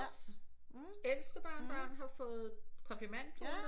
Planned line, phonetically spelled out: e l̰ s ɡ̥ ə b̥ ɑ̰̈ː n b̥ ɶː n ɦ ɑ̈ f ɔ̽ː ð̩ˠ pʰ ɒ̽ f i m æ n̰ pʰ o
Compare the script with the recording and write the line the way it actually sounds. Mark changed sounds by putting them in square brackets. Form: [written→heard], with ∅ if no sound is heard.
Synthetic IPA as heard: e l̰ s [ɡ̥→d̥] ə b̥ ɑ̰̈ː n b̥ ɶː n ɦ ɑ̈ f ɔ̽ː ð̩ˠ [pʰ→kʰ] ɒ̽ f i m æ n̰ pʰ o